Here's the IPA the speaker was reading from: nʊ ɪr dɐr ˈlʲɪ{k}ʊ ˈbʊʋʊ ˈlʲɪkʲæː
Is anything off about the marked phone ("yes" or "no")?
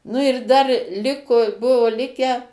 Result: no